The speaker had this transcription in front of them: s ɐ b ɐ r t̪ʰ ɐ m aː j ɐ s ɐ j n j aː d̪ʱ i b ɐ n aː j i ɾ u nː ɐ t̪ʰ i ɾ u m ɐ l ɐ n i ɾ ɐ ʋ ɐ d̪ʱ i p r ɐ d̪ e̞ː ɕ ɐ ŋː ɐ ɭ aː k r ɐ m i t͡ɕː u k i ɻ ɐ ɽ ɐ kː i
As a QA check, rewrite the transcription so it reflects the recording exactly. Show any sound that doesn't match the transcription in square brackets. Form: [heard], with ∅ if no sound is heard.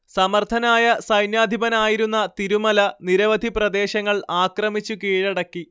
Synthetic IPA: s ɐ [m] ɐ r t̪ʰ ɐ [n] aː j ɐ s ɐ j n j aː d̪ʱ i b ɐ n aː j i ɾ u nː ɐ [t̪] i ɾ u m ɐ l ɐ n i ɾ ɐ ʋ ɐ d̪ʱ i p r ɐ d̪ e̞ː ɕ ɐ ŋː ɐ ɭ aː k r ɐ m i t͡ɕː u k [iː] ɻ ɐ ɽ ɐ kː i